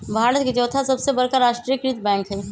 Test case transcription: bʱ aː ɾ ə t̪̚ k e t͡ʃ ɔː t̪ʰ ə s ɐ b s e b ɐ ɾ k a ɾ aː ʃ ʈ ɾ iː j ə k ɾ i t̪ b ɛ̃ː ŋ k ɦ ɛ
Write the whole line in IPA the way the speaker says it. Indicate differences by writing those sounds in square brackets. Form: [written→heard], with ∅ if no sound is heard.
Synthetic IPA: bʱ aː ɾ ə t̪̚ k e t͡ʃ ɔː t̪ʰ [ə→a] s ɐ b s e b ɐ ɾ k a ɾ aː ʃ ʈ ɾ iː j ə k ɾ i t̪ b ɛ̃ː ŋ k ɦ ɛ